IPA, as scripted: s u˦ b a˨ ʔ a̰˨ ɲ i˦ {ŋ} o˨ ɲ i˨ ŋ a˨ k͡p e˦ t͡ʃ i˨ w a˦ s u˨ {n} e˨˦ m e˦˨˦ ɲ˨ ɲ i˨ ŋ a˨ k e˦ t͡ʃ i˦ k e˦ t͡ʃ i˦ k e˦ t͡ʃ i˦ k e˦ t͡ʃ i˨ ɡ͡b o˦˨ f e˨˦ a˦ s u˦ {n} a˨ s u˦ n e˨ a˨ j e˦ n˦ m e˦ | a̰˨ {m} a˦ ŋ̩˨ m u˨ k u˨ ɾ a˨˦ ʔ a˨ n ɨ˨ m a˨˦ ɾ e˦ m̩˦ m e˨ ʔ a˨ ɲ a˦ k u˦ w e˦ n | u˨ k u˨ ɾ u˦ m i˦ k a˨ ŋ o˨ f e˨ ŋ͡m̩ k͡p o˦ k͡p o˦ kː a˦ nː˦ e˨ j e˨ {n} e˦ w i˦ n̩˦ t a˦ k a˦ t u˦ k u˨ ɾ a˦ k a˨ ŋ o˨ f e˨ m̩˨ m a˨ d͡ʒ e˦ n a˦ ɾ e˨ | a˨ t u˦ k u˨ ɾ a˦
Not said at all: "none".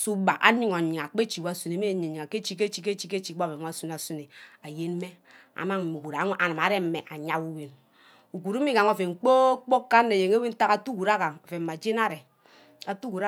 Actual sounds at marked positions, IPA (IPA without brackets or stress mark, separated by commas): ŋ, n, n, m, ŋ